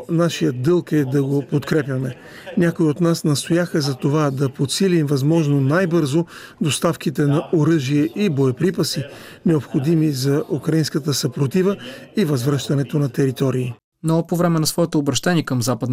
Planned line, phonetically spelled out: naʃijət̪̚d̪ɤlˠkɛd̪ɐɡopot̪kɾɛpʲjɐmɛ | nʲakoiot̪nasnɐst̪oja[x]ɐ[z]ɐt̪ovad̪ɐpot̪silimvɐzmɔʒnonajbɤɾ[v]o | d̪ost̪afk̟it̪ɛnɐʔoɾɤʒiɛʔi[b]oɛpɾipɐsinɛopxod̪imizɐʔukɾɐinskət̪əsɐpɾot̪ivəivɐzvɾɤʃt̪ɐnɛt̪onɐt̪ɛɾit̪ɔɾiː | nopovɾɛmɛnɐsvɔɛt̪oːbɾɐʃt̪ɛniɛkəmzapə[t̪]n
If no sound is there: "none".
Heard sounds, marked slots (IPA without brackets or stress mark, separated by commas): x, z, z, b, d̪